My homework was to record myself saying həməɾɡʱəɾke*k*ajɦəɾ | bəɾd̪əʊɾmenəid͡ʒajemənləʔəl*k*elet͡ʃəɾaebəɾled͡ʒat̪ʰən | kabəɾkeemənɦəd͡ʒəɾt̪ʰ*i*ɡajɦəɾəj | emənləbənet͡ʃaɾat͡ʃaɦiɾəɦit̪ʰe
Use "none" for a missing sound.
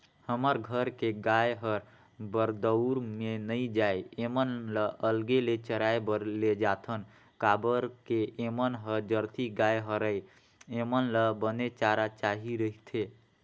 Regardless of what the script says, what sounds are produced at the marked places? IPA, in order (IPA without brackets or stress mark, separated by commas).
ɡ, ɡ, i